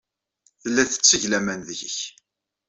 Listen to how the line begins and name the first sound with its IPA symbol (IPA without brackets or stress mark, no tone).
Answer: θ